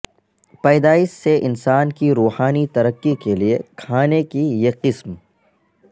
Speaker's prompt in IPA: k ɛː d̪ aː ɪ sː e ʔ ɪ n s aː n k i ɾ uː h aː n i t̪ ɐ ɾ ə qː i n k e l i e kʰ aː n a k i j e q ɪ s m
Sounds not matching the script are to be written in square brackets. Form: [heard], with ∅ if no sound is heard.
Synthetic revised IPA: [p] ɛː d̪ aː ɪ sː e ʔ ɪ n s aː n k i ɾ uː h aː n i t̪ ɐ ɾ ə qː i [∅] k e l i e kʰ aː n [e] k i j e q ɪ s m